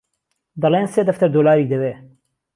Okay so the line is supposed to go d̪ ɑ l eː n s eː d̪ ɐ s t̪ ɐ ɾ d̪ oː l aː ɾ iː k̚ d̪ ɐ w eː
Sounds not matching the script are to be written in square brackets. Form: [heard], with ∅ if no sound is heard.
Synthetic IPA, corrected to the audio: d̪ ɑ l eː n s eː d̪ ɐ [f] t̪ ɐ ɾ d̪ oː l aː ɾ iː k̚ d̪ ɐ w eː